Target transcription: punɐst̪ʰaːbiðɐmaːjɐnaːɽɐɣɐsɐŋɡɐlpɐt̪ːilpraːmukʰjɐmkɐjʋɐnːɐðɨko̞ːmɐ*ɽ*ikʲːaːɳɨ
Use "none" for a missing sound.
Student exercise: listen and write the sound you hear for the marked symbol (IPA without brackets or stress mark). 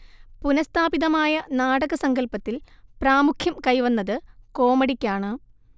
ɽ